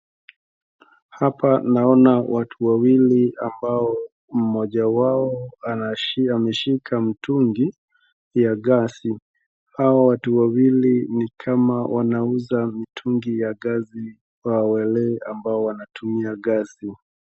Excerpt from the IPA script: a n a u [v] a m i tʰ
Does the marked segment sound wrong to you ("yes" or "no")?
yes